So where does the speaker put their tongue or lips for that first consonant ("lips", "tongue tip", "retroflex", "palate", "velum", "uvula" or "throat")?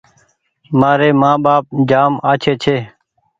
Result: lips